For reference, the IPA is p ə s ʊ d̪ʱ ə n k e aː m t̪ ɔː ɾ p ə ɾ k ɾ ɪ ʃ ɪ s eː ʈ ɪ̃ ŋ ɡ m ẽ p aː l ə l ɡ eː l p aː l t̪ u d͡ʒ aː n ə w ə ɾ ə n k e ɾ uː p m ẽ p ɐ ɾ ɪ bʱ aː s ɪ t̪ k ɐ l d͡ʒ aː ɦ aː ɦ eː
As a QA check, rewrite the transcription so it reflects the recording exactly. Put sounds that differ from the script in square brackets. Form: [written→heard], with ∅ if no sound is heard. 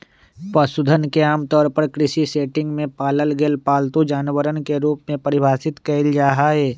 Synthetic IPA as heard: p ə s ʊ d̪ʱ ə n k e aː m t̪ ɔː ɾ p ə ɾ k ɾ ɪ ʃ [ɪ→i] s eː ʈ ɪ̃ ŋ ɡ m ẽ p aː l ə l ɡ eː l p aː l t̪ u d͡ʒ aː n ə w ə ɾ ə n k e ɾ uː p m ẽ p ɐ ɾ ɪ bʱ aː s ɪ t̪ k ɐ l d͡ʒ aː ɦ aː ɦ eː